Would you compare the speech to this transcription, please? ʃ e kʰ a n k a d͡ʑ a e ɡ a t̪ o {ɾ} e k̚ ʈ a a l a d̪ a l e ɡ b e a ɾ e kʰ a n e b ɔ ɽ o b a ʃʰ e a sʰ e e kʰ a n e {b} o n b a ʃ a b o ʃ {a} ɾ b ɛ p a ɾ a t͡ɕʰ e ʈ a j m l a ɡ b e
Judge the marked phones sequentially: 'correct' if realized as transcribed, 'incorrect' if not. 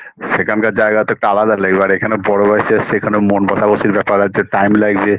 incorrect: none, incorrect: m, incorrect: i

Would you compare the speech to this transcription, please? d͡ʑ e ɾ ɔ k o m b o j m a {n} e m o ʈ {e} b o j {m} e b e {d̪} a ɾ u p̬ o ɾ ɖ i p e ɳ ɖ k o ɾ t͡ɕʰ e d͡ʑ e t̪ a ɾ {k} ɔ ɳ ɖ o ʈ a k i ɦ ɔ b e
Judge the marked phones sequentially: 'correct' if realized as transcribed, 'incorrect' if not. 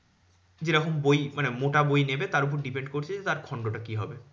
correct, incorrect: a, incorrect: n, incorrect: t̪, incorrect: kʰ

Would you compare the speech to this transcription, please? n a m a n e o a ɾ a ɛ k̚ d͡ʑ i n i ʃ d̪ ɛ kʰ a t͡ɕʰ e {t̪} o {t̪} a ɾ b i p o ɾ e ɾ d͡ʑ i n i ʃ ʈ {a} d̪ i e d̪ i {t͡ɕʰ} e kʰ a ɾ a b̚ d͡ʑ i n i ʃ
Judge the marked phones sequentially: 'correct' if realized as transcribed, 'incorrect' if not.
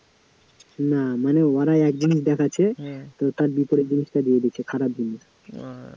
correct, correct, correct, correct

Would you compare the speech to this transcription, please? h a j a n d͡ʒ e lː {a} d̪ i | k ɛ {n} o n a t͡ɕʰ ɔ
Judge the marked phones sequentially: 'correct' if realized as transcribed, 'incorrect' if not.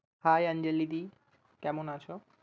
incorrect: i, incorrect: m

